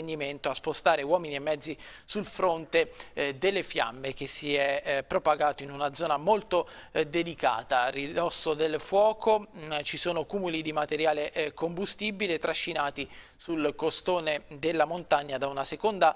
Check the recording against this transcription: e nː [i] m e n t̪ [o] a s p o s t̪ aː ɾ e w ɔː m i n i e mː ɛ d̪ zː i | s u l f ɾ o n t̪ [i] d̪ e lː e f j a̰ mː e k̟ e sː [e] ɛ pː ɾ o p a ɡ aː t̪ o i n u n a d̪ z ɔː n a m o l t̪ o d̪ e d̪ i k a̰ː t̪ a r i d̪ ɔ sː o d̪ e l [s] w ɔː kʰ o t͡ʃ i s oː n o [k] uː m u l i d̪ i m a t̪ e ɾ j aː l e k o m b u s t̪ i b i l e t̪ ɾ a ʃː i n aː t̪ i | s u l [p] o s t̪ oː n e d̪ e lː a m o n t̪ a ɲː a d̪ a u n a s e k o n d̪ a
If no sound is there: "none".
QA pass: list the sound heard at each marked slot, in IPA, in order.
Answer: i, o, e, i, f, k, k

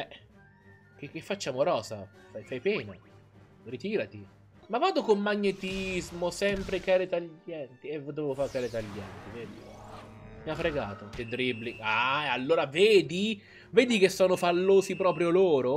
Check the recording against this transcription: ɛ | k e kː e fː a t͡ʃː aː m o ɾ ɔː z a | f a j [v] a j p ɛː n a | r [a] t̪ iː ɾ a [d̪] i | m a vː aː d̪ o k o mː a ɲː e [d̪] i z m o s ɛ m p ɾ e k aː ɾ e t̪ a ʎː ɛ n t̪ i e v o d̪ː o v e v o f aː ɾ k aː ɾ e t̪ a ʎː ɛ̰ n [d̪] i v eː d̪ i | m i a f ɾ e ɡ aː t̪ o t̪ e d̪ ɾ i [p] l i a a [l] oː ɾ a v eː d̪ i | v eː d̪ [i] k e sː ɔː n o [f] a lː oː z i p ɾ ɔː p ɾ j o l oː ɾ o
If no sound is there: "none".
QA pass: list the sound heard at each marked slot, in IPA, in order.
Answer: f, i, t̪, t̪, t̪, b, lː, i, f

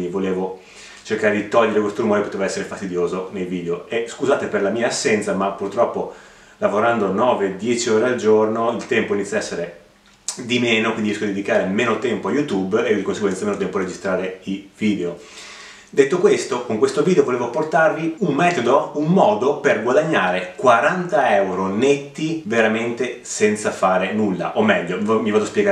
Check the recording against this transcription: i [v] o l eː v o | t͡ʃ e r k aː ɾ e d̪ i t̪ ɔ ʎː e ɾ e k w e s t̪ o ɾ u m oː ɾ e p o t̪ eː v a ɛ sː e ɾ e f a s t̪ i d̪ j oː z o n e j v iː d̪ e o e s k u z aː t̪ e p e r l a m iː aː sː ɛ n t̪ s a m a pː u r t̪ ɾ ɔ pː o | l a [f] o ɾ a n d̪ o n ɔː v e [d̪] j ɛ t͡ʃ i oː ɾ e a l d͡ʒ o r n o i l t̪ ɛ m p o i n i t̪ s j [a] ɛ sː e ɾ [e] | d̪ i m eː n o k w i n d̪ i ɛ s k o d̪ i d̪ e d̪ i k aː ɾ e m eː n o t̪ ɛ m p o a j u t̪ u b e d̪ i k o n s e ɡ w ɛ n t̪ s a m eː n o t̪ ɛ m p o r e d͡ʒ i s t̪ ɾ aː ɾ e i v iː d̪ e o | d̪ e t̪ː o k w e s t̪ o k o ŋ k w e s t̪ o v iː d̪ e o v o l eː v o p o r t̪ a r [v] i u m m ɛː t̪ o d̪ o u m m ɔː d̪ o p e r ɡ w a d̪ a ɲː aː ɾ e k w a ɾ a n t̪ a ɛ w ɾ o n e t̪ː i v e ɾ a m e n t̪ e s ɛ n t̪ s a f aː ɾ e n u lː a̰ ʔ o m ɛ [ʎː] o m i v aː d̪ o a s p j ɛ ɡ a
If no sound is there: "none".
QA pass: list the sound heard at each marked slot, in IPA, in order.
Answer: v, v, d̪, a, e, v, ʎː

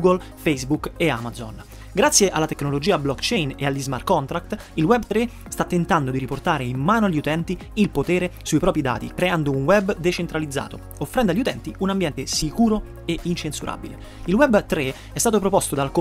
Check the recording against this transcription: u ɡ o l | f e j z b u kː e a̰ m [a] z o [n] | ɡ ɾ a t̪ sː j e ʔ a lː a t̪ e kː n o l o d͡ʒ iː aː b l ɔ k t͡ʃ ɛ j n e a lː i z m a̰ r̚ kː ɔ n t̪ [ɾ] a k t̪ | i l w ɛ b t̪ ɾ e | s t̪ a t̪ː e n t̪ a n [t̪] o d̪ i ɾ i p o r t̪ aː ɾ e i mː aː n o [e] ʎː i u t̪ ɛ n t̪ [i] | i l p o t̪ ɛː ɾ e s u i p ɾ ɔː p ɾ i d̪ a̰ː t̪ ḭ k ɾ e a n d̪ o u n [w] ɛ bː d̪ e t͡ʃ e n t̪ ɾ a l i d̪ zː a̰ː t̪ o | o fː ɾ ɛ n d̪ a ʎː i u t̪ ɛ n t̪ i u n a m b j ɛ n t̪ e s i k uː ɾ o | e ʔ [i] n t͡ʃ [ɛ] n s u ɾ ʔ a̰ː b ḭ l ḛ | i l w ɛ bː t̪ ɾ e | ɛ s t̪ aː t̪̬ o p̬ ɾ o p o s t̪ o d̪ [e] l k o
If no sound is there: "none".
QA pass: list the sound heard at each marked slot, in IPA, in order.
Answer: a, n, ɾ, d̪, a, i, w, i, e, a

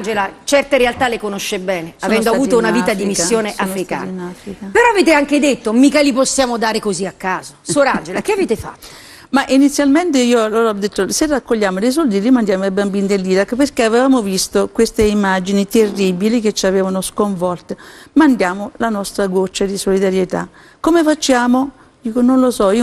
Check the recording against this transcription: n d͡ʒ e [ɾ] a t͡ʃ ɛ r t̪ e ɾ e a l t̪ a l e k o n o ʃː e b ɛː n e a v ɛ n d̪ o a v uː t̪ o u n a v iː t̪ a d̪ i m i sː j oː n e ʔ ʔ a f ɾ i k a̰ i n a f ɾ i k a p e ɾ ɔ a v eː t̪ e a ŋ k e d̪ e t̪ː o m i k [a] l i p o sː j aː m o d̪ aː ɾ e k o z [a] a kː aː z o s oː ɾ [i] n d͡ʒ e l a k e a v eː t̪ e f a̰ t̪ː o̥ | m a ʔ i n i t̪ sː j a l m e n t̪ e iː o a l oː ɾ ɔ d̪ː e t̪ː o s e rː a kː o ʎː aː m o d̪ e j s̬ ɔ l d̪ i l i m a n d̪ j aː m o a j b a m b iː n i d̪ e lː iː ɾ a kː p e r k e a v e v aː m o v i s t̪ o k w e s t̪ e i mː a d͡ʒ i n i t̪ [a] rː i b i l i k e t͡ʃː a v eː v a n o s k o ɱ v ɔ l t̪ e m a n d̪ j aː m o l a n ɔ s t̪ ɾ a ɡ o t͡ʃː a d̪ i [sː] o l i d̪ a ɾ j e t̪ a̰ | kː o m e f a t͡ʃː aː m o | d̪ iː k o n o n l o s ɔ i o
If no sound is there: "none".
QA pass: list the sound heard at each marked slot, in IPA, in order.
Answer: l, a, i, a, e, s

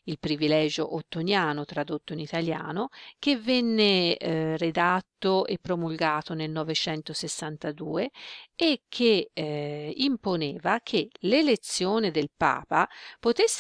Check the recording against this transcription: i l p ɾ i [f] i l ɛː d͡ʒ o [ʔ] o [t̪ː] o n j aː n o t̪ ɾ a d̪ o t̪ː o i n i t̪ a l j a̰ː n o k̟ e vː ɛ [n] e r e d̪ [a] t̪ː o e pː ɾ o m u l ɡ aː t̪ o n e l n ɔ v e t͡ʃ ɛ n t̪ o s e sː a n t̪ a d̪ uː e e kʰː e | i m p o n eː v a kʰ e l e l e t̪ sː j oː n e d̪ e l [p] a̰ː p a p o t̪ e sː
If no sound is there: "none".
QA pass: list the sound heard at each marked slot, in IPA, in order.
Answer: v, ʔ, t̪ː, nː, a, p

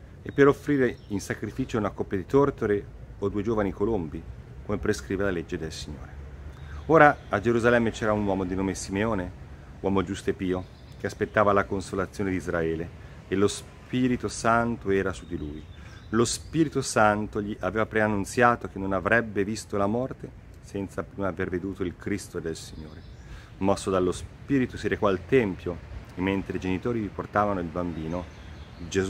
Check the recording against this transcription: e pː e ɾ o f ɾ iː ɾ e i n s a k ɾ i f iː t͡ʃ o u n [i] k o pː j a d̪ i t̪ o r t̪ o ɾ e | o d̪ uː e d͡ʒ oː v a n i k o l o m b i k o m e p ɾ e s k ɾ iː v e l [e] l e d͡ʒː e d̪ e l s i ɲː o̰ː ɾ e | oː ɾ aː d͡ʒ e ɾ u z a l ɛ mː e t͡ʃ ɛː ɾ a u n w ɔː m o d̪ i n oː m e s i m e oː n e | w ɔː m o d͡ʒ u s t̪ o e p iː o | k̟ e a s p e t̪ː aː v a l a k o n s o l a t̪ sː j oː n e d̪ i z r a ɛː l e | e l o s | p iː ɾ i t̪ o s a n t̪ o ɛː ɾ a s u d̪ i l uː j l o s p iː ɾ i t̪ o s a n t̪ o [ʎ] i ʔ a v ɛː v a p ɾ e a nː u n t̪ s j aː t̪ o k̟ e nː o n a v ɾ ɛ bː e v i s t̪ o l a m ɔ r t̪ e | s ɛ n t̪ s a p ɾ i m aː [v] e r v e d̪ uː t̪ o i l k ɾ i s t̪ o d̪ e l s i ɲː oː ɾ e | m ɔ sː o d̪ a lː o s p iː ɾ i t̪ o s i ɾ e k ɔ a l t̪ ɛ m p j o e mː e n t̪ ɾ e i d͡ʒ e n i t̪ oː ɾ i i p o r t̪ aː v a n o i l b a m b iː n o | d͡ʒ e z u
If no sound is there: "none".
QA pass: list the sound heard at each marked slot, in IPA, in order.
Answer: a, a, ʎ, v

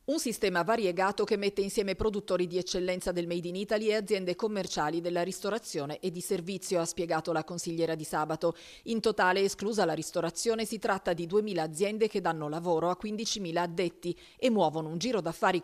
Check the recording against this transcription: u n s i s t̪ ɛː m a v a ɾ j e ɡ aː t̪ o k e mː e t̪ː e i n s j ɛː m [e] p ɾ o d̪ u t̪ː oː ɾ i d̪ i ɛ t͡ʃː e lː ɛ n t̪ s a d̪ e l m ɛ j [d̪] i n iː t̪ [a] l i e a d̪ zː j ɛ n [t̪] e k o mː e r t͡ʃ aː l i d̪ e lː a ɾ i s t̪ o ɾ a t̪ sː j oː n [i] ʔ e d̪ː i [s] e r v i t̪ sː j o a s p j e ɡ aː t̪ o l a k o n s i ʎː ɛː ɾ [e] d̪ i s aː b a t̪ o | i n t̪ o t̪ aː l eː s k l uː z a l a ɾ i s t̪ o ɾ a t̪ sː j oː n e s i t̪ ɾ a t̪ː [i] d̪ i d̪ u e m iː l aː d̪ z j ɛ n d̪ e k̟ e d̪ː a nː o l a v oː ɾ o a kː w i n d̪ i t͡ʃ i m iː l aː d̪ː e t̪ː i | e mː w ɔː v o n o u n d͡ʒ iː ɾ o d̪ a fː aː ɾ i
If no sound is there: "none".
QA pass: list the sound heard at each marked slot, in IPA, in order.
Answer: e, d̪, a, d̪, e, s, a, a

